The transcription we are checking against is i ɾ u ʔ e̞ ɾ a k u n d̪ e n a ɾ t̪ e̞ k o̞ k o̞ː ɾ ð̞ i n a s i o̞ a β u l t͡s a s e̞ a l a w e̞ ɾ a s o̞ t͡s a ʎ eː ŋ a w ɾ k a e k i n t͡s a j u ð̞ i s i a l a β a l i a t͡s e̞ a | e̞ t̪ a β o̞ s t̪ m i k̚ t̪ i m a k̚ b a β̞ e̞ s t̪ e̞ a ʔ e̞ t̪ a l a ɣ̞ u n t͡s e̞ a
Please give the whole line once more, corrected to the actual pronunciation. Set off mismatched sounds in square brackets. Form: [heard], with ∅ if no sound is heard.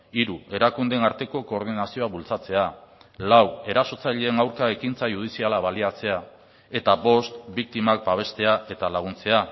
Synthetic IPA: i ɾ u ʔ e̞ ɾ a k u n d̪ e n a ɾ t̪ e̞ k o̞ k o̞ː ɾ ð̞ i n a s i o̞ a β u l t͡s a [t͡s] e̞ a l a w e̞ ɾ a s o̞ t͡s a ʎ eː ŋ a w ɾ k a e k i n t͡s a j u ð̞ i s i a l a β a l i a t͡s e̞ a | e̞ t̪ a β o̞ s t̪ [b] i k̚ t̪ i m a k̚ b a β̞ e̞ s t̪ e̞ a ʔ e̞ t̪ a l a ɣ̞ u n t͡s e̞ a